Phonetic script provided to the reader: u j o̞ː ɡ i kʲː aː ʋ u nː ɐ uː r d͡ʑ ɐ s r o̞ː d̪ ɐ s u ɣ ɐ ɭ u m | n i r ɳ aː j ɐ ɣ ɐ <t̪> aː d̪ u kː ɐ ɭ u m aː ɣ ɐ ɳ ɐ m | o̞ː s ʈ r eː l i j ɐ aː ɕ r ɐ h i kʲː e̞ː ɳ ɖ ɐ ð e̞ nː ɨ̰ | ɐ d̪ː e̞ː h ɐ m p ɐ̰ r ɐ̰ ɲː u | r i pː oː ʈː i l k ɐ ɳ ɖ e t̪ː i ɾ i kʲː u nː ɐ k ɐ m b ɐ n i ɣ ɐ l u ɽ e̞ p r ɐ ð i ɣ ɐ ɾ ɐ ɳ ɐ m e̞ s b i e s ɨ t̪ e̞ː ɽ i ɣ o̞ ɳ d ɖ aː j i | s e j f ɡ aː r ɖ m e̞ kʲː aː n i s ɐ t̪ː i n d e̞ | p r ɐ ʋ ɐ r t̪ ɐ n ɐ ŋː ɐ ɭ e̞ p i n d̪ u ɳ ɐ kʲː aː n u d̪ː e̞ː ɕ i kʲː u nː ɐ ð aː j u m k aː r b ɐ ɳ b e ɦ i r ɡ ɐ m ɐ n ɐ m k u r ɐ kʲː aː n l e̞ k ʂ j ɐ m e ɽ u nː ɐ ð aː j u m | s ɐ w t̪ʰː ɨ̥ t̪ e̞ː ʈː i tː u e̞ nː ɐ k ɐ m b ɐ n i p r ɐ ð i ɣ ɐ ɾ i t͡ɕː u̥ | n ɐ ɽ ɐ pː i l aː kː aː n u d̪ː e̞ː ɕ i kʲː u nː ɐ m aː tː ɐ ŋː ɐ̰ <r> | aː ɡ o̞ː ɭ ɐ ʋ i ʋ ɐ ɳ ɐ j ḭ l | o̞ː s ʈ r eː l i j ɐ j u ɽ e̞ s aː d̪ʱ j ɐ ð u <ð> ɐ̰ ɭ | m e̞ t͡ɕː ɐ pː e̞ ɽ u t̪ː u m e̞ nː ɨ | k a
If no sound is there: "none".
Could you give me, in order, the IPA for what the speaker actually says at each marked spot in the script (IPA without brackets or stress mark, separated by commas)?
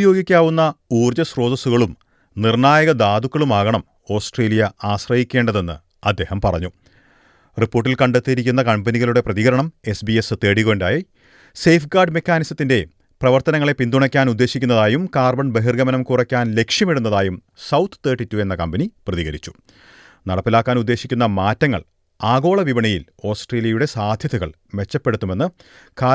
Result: d̪, ɭ, ɣ